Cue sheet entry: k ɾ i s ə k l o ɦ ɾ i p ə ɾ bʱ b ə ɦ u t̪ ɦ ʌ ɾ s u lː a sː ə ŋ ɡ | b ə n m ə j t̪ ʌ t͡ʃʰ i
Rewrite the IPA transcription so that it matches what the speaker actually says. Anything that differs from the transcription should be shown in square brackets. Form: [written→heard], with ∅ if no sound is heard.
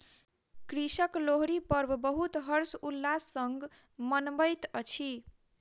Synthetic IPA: k ɾ i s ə k l o ɦ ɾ i p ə ɾ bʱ b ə ɦ u t̪ ɦ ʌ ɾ s u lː a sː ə ŋ ɡ | [b→m] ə n [m→b] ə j t̪ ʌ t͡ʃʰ i